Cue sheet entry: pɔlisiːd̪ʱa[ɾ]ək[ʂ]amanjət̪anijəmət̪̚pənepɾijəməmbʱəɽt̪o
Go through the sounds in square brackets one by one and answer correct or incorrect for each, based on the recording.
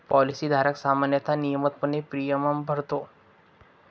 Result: correct, incorrect: s

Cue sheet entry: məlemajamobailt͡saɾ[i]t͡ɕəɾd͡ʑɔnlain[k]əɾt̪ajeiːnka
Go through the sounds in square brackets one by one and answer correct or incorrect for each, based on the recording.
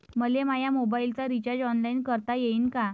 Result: correct, correct

